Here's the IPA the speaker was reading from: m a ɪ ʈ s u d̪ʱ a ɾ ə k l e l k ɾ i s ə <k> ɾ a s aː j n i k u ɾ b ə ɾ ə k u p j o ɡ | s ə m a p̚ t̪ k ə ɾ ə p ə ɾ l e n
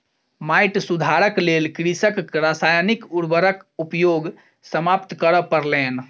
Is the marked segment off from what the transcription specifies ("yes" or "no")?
no